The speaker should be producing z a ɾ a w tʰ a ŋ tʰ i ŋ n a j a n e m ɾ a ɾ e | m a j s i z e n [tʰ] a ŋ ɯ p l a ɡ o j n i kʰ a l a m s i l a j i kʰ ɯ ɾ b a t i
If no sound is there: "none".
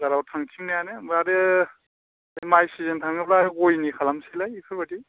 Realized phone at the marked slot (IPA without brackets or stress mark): tʰ